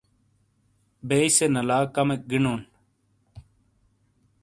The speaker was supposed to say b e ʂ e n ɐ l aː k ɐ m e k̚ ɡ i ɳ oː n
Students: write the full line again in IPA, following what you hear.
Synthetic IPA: b e s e n ɐ l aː k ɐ m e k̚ ɡ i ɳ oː n